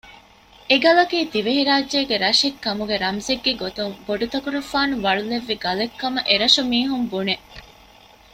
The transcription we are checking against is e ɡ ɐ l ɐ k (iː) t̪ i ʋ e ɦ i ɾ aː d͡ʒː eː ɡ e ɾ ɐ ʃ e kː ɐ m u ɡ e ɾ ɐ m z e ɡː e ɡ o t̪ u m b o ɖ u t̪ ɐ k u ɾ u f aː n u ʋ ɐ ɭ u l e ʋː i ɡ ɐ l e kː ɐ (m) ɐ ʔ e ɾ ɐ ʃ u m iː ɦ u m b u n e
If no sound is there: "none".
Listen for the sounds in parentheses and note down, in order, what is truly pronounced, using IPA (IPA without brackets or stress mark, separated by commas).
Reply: iː, m